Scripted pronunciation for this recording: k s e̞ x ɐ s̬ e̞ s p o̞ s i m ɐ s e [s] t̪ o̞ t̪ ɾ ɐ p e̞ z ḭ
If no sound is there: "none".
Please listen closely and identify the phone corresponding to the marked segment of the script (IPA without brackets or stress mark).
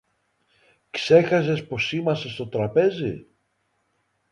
s